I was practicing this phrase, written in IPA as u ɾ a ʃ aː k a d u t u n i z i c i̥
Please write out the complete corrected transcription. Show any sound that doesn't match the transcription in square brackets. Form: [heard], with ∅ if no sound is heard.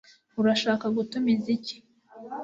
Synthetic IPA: u ɾ a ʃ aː k a [ɡ] u t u [m] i z i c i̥